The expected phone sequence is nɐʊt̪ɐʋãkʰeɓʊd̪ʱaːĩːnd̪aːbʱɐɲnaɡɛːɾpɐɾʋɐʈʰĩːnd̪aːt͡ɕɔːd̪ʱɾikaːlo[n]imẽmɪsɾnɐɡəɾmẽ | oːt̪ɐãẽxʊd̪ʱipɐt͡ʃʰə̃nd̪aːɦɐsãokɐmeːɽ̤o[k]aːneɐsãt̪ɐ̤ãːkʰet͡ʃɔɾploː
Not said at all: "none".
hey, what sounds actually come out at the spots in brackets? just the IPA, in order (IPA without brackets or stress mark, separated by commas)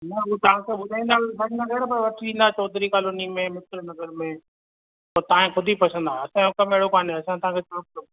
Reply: n, k